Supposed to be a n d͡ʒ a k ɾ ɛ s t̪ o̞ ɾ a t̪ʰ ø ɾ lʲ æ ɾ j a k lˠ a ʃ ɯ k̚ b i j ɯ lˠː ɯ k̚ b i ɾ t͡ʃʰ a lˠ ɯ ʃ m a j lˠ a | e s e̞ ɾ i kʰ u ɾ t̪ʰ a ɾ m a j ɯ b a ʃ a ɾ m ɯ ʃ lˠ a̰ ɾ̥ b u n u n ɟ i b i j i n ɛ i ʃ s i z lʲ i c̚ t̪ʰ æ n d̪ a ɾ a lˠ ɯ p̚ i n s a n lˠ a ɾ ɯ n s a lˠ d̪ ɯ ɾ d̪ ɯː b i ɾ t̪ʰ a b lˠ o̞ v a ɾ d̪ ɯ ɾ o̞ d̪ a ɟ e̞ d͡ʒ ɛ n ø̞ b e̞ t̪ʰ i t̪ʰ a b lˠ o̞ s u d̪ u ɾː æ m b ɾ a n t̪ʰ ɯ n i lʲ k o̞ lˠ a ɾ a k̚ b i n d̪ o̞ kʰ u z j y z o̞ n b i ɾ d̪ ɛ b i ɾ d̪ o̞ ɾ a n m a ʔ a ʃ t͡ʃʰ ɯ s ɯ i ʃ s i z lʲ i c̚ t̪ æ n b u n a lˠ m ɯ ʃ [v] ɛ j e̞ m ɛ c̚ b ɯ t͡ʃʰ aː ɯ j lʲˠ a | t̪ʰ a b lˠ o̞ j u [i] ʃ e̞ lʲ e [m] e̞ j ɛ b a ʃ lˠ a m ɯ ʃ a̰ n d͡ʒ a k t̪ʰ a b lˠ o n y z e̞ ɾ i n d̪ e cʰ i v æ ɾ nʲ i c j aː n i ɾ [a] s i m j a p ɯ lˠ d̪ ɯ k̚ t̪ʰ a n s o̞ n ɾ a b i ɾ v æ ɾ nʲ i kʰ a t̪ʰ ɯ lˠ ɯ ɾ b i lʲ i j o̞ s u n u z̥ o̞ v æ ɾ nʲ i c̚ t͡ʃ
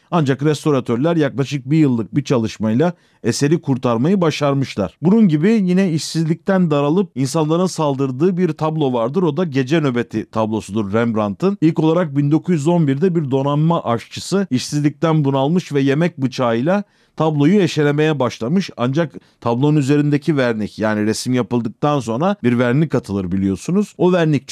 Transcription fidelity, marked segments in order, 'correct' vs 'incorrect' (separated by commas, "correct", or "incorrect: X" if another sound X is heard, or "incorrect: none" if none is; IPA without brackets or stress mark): correct, incorrect: e, correct, incorrect: e